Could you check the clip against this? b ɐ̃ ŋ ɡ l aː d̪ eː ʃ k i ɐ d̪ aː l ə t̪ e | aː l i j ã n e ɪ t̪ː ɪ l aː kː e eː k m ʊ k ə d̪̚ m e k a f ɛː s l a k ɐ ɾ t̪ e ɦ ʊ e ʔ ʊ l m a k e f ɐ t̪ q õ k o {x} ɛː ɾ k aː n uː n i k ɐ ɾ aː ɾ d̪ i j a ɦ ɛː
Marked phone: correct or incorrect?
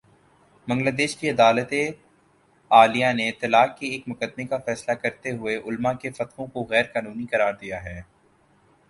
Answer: incorrect